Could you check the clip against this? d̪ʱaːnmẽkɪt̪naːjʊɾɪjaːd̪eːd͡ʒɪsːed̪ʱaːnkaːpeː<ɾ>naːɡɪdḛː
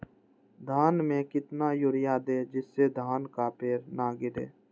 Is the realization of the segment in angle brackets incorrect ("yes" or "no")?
no